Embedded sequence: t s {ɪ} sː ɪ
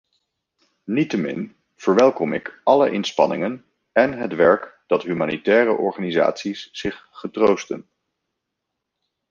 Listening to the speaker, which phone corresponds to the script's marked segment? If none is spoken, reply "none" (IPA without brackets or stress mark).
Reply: i